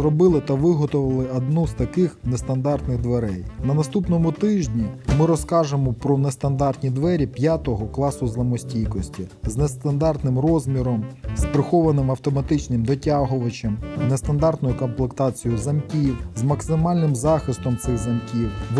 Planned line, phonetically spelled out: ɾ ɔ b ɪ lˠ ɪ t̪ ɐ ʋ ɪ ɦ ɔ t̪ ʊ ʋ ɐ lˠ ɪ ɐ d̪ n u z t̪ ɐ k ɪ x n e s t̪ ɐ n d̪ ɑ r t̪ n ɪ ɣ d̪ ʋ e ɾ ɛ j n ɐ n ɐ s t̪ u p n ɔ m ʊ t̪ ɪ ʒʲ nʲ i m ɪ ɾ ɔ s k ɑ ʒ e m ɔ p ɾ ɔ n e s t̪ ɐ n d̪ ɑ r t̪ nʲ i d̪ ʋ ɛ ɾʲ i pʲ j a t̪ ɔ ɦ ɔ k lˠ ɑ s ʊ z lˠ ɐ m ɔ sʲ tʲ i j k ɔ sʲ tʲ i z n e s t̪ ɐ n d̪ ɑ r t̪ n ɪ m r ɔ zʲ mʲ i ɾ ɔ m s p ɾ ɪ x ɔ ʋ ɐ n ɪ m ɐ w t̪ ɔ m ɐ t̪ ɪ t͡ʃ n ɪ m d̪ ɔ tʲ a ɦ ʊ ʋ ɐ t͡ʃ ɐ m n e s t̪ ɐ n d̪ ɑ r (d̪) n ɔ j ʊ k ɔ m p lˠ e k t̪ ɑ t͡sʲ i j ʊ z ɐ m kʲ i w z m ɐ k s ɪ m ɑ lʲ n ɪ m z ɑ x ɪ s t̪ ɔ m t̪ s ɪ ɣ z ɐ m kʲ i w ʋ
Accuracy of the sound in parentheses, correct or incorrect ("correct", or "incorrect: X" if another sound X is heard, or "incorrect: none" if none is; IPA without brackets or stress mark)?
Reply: incorrect: t̪